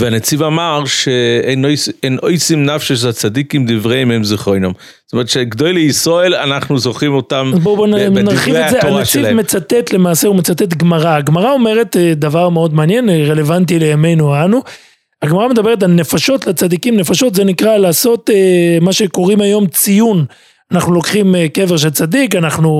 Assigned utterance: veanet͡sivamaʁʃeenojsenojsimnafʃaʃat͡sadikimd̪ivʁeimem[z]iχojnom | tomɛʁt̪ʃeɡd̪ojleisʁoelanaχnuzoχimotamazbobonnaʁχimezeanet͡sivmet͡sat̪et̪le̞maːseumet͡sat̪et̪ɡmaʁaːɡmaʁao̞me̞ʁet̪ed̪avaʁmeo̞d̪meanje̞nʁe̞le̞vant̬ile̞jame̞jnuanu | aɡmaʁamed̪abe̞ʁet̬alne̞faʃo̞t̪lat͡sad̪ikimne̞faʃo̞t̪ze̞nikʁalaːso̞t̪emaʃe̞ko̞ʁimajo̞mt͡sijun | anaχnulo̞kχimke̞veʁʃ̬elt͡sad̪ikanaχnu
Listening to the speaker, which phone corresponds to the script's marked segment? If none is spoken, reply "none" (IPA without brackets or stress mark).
z